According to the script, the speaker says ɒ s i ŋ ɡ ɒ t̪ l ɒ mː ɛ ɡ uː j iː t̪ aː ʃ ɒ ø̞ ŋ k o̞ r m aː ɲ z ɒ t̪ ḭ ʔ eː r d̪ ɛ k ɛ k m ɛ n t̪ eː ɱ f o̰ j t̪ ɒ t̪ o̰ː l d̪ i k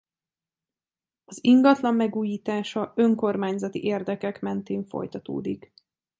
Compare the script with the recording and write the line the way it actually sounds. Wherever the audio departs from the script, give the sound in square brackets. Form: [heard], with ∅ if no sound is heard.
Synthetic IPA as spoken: ɒ [z] i ŋ ɡ ɒ t̪ l ɒ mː ɛ ɡ uː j iː t̪ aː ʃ ɒ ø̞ ŋ k o̞ r m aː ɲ z ɒ t̪ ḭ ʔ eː r d̪ ɛ k ɛ k m ɛ n t̪ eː ɱ f o̰ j t̪ ɒ t̪ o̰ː [∅] d̪ i k